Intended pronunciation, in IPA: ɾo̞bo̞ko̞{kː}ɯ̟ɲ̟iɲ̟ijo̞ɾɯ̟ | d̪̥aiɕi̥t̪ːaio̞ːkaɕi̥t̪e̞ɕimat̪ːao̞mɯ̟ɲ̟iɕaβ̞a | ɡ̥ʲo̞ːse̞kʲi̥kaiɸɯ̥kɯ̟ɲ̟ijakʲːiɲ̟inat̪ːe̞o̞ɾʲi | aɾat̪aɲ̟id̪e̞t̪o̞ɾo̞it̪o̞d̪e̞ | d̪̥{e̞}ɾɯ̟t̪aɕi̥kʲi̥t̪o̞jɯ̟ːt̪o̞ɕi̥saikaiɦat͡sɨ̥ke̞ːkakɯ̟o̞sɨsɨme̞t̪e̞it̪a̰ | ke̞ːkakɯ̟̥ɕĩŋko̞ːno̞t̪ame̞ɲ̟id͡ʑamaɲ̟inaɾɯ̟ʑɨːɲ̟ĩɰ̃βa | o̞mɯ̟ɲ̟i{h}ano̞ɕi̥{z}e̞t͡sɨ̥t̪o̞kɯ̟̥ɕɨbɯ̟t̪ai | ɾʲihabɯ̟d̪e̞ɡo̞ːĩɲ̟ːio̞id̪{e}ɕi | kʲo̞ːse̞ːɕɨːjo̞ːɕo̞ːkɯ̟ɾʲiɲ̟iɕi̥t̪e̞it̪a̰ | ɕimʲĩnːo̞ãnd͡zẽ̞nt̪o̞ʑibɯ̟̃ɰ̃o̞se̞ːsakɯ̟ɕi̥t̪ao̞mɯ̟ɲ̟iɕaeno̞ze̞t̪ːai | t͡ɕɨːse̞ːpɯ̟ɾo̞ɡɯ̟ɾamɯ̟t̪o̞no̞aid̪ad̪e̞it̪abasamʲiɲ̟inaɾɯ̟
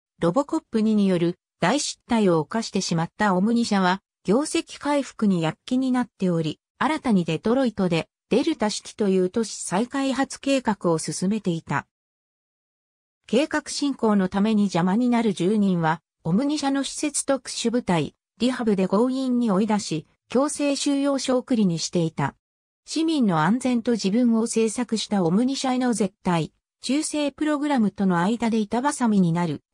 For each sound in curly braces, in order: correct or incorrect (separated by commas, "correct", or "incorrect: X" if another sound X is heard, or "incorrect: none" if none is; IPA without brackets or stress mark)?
incorrect: pː, correct, incorrect: ɕ, incorrect: s, incorrect: a